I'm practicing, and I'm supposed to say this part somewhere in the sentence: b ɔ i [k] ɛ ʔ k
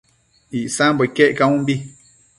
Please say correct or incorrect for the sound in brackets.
correct